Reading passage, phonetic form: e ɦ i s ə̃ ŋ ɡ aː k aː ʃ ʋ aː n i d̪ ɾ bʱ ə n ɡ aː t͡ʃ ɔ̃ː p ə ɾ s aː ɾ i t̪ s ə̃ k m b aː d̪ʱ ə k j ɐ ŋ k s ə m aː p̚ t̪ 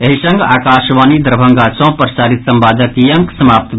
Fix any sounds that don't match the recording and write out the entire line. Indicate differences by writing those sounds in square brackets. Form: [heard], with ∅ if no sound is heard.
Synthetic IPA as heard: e ɦ i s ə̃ ŋ ɡ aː k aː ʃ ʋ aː n i d̪ ɾ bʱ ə [ŋ] ɡ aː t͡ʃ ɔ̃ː p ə ɾ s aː ɾ i t̪ s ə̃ [∅] m b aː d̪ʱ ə k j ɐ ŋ k s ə m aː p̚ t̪